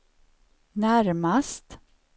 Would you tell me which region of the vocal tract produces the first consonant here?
tongue tip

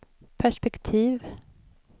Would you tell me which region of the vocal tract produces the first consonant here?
lips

